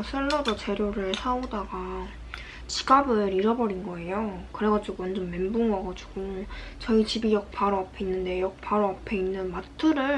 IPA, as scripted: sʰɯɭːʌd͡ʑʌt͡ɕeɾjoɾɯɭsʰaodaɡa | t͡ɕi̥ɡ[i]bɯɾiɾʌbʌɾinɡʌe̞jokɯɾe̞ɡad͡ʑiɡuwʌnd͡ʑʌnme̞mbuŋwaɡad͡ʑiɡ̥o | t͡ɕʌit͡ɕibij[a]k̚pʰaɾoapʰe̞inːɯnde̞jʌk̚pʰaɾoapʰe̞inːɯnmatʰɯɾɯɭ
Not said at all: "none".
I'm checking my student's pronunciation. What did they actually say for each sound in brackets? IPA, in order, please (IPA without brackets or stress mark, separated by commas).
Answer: a, ʌ